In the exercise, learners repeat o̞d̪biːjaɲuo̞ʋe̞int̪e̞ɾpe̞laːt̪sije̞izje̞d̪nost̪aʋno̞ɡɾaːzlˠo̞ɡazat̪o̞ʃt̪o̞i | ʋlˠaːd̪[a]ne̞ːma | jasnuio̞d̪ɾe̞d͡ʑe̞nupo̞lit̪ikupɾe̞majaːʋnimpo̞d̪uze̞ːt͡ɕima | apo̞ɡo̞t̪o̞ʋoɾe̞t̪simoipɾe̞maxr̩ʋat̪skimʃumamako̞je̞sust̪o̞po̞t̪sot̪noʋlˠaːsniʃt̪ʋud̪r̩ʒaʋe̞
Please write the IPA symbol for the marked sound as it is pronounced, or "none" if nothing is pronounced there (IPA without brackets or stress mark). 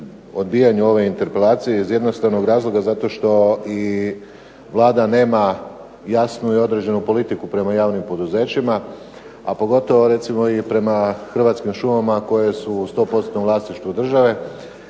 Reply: a